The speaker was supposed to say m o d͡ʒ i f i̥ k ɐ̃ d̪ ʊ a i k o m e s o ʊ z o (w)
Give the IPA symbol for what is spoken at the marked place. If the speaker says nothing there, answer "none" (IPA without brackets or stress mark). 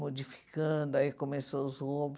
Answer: b